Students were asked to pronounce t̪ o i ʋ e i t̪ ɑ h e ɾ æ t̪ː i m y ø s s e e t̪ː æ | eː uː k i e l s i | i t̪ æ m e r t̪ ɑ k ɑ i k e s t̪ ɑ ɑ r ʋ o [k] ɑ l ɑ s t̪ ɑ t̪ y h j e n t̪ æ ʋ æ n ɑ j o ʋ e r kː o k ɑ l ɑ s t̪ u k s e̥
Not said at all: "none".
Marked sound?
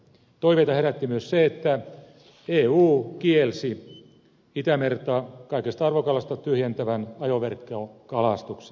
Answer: k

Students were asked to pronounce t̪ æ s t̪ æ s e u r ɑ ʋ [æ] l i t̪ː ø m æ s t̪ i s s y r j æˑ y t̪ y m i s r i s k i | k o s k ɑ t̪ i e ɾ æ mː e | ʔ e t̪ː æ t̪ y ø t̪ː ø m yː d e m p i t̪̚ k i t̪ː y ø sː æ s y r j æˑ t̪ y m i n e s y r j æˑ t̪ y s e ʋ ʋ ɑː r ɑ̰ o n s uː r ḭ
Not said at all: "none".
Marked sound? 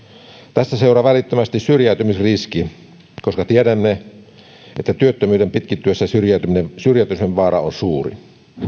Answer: æ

